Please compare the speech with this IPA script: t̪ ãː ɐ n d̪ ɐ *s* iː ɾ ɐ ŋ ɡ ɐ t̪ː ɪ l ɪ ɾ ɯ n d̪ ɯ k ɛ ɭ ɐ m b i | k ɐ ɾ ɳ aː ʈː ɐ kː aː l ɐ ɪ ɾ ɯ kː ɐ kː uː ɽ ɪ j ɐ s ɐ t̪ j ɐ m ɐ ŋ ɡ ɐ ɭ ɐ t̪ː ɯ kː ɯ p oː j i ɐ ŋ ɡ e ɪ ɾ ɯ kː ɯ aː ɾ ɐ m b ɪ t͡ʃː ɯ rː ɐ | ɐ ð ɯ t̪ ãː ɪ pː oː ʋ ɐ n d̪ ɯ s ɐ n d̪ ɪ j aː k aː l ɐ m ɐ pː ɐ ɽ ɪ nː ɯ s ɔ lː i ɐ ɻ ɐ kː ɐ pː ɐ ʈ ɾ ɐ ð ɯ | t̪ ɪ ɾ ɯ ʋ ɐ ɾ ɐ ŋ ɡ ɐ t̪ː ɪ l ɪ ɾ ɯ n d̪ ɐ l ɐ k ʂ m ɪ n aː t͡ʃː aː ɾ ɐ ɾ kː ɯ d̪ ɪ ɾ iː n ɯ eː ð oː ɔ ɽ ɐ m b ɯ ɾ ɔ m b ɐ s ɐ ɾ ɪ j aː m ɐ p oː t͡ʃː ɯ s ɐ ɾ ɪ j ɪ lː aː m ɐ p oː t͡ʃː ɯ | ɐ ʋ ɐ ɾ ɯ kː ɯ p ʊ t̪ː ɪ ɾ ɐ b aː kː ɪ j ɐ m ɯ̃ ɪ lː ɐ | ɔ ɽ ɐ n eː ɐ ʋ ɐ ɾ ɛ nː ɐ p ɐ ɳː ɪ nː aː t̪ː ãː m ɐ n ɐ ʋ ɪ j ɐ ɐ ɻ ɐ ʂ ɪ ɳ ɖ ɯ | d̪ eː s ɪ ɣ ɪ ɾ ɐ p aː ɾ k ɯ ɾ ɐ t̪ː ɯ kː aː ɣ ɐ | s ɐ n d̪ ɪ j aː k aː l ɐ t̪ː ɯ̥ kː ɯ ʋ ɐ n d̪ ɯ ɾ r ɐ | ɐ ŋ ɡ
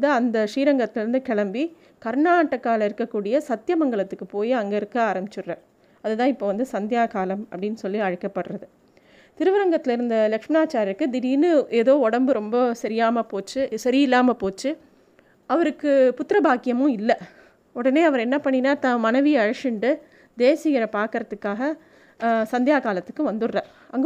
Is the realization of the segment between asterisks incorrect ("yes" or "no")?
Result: yes